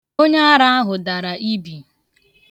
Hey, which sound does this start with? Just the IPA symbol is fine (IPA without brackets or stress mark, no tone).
o